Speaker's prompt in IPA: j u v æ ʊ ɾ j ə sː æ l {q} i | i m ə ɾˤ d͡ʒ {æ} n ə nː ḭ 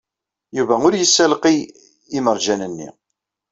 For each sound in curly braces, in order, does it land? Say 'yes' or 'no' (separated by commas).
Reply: yes, yes